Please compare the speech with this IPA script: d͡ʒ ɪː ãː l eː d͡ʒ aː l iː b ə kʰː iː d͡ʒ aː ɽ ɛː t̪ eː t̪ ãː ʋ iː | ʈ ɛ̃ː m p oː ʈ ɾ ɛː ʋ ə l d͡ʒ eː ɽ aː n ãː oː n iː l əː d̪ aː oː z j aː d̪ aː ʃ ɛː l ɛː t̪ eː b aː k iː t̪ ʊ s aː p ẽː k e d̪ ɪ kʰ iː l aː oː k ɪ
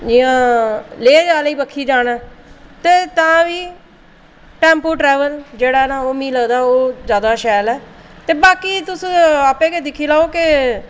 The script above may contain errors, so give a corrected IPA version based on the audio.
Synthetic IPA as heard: d͡ʒ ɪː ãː l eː d͡ʒ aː l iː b ə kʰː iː d͡ʒ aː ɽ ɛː t̪ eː t̪ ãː ʋ iː | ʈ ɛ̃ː m p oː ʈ ɾ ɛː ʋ ə l d͡ʒ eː ɽ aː n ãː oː m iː l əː d̪ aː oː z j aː d̪ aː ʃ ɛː l ɛː t̪ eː b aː k iː t̪ ʊ s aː p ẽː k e d̪ ɪ kʰ iː l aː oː k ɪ